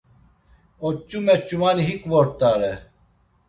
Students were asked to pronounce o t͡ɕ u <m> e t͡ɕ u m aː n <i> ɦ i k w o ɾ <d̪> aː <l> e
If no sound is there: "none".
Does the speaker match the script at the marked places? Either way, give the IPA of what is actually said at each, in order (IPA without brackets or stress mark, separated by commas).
m, i, t̪, ɾ